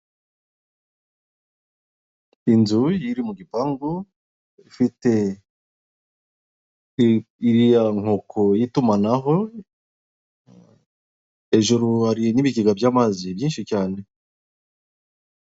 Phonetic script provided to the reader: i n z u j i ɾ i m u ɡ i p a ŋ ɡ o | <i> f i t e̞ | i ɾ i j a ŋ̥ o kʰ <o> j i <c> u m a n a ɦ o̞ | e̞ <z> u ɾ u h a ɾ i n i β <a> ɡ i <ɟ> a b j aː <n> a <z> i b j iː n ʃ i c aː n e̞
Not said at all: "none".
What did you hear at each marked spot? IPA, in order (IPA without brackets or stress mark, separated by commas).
i, o, t, ʒ, i, ɡ, m, z